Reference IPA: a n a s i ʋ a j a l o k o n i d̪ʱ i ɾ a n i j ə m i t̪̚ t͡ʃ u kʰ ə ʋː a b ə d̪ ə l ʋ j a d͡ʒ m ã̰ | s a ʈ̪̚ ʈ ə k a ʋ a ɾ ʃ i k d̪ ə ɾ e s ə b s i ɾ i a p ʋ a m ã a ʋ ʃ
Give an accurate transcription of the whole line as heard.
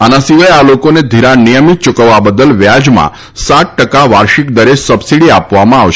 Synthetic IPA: a n a s i ʋ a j a l o k o n e d̪ʱ i ɾ a n i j ə m i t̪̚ t͡ʃ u k ə ʋː a b ə d̪ ə l ʋ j a d͡ʒ m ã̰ | s a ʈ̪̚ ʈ ə k a ʋ a ɾ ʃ i k d̪ ə ɾ e s ə b s i ɽ i a p ʋ a m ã a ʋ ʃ